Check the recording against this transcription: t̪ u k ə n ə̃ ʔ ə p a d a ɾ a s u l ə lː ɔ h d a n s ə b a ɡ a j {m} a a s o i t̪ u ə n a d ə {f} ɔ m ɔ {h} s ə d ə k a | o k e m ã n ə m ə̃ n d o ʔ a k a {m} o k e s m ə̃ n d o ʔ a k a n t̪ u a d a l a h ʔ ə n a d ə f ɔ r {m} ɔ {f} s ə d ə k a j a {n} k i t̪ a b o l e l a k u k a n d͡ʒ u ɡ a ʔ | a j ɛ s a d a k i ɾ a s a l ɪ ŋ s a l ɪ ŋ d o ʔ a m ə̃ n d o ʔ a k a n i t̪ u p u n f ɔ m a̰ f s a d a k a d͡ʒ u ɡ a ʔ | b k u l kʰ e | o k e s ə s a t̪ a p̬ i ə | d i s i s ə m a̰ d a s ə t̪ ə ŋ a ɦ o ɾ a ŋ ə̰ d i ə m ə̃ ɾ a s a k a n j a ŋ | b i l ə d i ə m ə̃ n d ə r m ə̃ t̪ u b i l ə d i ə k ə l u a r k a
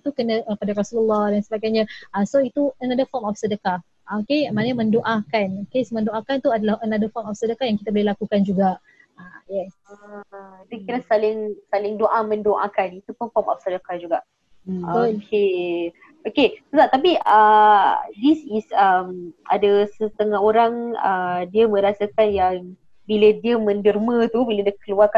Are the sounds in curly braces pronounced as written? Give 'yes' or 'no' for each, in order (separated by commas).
no, yes, no, no, yes, yes, no